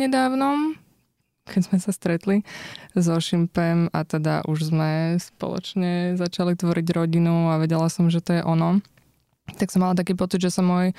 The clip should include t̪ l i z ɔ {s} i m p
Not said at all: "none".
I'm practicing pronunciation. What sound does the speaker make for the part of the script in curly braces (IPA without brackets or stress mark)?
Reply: ʃ